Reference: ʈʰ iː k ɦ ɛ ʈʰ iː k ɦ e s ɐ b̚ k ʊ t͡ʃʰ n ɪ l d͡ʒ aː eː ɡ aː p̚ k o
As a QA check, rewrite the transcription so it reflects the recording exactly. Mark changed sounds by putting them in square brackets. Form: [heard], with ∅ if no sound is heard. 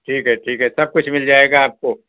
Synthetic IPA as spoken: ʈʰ iː k ɦ ɛ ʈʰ iː k ɦ [ɛ] s ɐ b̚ k ʊ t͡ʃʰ [m] ɪ l d͡ʒ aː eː ɡ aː p̚ k o